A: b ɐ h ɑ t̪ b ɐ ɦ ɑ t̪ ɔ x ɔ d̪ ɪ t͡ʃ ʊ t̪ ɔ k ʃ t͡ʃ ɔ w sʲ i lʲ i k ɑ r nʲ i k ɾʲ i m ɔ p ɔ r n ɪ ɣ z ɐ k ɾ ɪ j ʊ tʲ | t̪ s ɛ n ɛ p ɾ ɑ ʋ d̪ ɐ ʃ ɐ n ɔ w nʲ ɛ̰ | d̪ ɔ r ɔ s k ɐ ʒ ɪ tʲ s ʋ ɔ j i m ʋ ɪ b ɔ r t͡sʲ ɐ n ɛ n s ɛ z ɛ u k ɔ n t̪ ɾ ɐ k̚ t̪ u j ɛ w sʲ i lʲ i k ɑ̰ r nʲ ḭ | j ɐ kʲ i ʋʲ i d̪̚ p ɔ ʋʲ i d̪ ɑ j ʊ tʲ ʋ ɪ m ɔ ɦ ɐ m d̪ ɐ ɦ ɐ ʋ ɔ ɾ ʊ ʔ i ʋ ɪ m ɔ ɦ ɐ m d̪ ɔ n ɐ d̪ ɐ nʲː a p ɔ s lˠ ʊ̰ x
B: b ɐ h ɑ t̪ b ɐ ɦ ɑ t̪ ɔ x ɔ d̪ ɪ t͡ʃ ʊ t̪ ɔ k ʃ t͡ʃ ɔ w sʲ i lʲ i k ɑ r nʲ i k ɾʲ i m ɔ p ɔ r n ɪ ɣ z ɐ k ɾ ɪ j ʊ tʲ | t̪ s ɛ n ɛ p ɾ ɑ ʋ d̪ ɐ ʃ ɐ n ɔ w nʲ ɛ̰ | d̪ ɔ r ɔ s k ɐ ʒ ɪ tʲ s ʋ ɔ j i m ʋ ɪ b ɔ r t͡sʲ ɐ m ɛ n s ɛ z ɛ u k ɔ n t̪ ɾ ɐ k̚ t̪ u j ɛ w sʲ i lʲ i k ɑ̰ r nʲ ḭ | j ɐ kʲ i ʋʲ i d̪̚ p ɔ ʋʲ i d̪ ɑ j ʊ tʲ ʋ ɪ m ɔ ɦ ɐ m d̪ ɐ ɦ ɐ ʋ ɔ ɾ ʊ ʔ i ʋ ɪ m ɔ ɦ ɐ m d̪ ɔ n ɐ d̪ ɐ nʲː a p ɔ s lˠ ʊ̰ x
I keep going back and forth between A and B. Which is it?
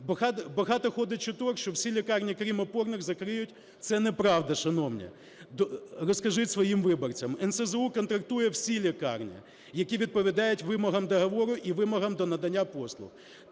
B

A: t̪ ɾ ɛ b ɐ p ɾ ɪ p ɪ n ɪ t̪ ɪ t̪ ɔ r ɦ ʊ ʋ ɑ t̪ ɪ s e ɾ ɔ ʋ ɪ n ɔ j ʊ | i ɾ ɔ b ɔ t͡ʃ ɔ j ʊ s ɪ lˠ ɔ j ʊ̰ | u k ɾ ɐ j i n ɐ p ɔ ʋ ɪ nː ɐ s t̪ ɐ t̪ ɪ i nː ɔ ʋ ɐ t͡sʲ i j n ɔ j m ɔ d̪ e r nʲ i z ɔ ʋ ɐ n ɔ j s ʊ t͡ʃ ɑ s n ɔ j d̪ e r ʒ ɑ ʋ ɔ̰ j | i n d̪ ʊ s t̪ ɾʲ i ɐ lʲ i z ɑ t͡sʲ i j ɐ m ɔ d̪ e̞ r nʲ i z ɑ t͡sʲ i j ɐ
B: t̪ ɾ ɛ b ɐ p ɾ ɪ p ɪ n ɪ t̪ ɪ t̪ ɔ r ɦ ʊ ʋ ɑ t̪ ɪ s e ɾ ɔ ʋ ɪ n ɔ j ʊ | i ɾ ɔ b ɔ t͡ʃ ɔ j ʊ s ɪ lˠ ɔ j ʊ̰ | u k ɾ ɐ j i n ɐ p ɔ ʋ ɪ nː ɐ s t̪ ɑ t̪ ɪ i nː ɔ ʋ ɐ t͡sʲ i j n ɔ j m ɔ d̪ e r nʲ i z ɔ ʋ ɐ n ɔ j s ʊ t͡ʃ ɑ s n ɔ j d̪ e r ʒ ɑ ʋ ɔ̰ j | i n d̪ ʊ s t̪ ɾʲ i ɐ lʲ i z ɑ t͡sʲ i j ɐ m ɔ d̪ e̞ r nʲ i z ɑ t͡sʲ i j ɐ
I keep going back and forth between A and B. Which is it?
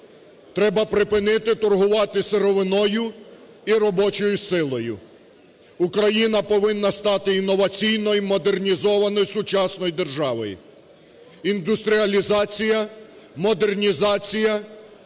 B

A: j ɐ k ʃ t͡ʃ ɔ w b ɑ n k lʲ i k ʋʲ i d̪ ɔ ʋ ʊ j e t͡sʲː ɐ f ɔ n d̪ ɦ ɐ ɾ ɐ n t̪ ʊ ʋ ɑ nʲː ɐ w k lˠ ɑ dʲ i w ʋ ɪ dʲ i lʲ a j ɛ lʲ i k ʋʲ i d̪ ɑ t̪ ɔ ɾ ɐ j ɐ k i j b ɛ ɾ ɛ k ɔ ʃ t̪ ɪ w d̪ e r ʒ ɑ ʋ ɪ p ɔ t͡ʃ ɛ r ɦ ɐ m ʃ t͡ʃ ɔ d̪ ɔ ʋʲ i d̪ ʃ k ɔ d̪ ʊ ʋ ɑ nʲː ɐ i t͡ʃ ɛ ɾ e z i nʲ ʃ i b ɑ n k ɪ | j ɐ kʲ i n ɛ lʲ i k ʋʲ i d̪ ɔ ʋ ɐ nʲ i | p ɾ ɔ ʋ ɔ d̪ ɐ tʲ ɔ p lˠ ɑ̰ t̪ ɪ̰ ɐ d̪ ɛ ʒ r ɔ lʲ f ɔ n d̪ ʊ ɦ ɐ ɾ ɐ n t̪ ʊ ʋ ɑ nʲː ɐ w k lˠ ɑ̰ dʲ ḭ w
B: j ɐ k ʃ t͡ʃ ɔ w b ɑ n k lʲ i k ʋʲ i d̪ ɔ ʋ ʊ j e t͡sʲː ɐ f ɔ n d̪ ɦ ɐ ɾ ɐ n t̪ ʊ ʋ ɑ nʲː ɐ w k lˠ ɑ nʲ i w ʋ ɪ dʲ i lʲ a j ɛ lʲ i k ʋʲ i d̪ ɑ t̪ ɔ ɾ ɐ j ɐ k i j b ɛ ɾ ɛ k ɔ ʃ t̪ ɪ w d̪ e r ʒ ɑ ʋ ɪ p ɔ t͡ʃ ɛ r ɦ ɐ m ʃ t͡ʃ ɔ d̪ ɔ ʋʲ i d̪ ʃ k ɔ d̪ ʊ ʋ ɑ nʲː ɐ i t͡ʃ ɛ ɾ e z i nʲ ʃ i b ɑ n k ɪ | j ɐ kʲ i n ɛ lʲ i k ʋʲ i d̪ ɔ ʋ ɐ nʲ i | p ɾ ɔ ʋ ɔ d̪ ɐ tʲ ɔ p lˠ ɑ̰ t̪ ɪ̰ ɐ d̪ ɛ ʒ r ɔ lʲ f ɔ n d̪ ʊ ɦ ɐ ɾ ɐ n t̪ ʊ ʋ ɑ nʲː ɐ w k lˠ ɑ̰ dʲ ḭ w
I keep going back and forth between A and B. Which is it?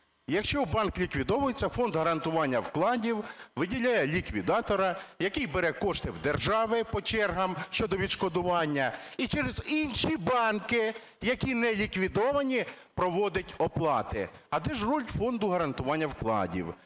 A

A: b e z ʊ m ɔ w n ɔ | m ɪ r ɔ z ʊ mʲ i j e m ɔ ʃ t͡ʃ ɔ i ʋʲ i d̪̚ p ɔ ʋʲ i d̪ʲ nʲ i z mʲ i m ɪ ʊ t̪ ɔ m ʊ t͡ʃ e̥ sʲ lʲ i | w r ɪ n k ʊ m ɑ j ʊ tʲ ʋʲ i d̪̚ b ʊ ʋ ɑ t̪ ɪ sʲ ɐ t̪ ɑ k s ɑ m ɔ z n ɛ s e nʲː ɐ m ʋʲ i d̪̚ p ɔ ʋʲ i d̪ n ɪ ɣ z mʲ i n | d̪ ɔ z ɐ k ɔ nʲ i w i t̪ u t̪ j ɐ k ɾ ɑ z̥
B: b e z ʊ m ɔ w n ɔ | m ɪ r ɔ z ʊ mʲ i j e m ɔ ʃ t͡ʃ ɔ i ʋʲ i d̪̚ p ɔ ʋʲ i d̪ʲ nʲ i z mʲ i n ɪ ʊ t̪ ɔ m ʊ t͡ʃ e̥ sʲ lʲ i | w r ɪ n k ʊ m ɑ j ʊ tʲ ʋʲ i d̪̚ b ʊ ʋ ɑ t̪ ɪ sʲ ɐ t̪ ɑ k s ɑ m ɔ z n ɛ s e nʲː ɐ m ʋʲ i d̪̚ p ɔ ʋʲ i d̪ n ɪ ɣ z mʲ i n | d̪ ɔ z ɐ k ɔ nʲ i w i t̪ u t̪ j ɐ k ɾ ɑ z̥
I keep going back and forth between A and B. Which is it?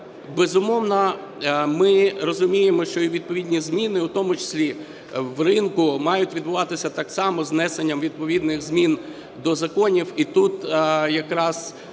B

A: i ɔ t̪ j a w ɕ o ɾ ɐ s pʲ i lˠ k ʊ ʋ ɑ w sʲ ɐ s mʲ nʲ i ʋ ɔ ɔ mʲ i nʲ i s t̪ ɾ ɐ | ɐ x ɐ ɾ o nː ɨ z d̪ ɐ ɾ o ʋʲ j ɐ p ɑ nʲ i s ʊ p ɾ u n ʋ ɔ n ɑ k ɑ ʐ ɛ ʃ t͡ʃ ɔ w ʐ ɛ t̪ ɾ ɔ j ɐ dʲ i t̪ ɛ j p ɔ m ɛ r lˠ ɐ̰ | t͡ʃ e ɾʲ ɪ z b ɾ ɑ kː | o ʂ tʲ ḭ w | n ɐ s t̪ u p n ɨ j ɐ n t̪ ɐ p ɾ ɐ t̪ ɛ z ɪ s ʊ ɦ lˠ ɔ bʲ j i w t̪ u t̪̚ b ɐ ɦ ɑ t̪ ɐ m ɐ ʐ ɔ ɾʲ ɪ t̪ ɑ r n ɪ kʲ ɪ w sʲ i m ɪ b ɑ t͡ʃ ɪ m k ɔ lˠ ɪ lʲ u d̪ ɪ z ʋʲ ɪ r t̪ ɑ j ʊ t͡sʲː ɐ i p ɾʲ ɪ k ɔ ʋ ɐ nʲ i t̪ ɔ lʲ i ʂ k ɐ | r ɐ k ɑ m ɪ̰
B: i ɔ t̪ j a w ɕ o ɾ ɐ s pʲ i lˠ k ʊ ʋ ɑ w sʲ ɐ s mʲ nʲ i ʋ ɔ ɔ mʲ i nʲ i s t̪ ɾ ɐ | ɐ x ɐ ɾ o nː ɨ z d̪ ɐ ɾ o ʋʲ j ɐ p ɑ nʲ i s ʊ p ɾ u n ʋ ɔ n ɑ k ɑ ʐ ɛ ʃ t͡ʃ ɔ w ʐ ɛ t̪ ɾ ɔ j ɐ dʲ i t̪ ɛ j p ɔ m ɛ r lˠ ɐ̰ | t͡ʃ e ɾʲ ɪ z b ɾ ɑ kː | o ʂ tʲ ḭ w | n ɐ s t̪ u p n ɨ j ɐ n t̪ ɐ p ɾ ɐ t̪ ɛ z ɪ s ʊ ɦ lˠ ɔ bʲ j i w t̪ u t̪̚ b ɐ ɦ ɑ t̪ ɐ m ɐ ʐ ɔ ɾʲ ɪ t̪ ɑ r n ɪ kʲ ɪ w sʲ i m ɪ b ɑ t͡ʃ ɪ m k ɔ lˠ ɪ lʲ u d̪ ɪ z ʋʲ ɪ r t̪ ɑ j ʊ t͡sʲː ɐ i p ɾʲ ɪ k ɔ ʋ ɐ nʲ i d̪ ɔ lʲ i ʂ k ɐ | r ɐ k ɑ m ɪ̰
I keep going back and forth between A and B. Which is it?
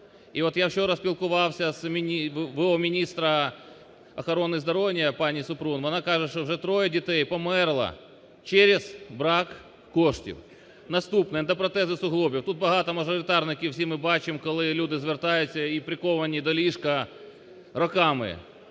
B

